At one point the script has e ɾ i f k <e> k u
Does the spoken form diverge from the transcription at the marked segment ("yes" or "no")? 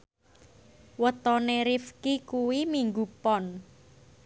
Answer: yes